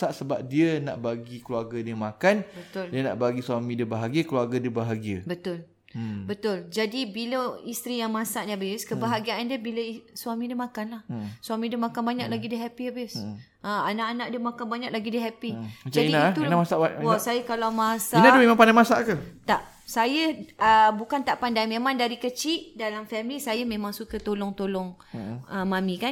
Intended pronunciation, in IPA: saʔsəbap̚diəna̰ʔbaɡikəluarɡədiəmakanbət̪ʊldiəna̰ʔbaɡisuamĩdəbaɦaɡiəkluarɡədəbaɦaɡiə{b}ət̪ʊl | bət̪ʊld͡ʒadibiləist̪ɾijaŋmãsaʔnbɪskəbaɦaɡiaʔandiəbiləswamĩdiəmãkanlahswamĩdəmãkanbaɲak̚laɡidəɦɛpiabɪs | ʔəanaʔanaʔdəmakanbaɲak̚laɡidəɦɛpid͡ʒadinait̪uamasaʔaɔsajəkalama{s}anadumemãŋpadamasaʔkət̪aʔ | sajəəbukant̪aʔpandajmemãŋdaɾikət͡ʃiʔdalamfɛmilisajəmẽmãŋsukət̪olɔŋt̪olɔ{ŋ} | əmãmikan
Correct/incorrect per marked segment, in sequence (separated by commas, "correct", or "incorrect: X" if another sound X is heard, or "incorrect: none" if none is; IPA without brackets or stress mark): correct, correct, correct